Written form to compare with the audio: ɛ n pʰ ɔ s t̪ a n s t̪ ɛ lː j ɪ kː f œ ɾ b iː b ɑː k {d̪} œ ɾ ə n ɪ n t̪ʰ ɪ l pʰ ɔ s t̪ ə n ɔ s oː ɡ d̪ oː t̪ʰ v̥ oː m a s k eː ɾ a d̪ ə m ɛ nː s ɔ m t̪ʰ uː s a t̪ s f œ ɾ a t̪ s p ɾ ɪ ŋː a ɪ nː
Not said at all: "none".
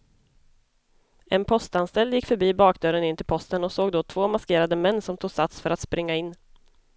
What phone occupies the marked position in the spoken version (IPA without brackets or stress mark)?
d̪